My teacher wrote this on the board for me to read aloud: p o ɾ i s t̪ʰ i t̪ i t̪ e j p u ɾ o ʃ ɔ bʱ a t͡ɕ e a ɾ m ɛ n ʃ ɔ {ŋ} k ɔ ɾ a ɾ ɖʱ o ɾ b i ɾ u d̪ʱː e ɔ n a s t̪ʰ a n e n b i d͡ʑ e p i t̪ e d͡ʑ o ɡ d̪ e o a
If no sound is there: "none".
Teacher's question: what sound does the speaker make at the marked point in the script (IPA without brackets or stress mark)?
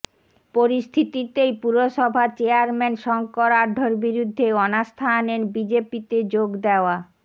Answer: ŋ